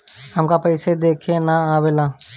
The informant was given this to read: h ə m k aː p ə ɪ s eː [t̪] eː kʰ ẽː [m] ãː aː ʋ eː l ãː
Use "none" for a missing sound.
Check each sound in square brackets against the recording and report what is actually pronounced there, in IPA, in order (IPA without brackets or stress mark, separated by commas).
d̪, n